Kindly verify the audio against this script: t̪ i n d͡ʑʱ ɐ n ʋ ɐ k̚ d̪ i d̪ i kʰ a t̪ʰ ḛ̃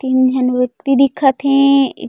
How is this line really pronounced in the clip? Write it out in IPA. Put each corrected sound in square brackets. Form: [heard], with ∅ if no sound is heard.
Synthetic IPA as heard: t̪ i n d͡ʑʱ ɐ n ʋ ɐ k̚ [t̪] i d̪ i kʰ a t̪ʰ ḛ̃